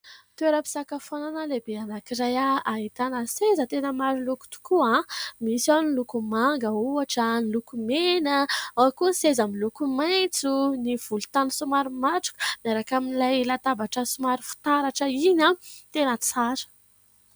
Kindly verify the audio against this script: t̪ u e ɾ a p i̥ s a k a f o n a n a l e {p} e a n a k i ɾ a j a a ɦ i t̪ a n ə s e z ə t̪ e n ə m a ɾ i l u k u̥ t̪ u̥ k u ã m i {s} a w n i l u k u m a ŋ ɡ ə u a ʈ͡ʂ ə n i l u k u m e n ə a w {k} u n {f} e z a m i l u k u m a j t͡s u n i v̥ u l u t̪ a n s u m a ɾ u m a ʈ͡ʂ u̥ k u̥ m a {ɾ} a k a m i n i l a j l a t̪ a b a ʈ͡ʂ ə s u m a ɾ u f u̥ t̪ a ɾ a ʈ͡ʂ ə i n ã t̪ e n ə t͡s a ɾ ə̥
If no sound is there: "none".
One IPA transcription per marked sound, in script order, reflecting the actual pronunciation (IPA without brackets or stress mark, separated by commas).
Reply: b, s, k, s, ɾ